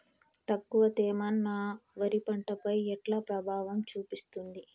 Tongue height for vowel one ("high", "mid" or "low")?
low